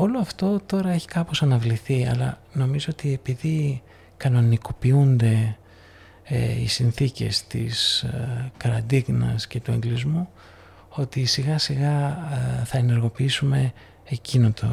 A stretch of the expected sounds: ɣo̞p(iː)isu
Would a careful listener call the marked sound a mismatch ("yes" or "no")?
yes